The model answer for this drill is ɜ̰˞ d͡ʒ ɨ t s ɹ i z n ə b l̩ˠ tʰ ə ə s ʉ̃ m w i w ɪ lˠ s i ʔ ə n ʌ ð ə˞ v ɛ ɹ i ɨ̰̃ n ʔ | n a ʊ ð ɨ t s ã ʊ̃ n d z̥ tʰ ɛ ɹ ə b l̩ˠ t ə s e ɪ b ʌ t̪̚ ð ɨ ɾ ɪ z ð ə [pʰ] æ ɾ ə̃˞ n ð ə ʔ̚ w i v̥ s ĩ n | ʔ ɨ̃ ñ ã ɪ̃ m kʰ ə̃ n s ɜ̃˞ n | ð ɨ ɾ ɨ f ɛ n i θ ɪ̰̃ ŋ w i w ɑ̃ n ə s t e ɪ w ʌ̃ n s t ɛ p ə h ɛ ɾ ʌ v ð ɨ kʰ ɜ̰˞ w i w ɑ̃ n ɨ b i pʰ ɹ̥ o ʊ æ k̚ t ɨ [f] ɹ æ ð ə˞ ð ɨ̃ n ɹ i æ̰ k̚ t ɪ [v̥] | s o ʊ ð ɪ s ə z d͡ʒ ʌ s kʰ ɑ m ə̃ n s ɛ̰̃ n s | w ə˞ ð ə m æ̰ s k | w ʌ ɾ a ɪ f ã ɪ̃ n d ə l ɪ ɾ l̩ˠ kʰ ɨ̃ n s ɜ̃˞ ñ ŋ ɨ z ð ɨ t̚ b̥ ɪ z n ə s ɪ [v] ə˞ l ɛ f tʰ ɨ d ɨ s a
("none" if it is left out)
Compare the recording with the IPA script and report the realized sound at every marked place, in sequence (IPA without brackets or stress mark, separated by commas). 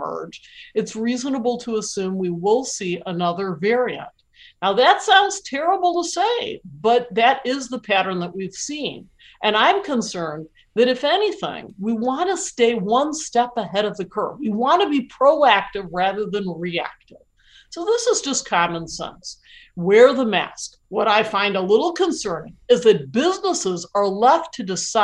pʰ, v, v̥, z